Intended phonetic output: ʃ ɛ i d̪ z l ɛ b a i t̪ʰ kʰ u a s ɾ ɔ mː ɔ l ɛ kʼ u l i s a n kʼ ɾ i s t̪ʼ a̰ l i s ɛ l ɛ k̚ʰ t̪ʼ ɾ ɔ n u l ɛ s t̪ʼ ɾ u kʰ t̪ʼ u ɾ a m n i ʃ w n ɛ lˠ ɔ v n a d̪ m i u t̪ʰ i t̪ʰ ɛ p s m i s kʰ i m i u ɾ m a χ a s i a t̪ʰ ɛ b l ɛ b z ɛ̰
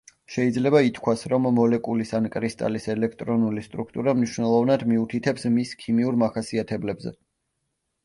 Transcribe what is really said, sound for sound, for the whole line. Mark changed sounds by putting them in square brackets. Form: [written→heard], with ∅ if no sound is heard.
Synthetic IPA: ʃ ɛ i d̪ z l ɛ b a i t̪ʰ kʰ [u→w] a s ɾ ɔ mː ɔ l ɛ kʼ u l i s a n kʼ ɾ i s t̪ʼ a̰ l i s ɛ l ɛ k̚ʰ t̪ʼ ɾ ɔ n u l [ɛ→i] s t̪ʼ ɾ u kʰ t̪ʼ u ɾ a m n i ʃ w n ɛ lˠ ɔ v n a d̪ m i u t̪ʰ i t̪ʰ ɛ p s m i s kʰ i m i u ɾ m a χ a s i a t̪ʰ ɛ b l ɛ b z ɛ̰